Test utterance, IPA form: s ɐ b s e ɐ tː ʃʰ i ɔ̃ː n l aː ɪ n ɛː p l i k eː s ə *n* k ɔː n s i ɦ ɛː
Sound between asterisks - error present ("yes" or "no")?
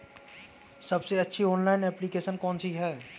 no